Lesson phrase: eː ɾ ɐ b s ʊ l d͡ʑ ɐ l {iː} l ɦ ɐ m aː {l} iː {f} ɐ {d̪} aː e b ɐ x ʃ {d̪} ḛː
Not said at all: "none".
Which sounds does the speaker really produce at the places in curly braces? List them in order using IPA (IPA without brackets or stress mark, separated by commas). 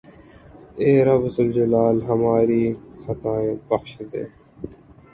aː, ɾ, x, t̪, d̪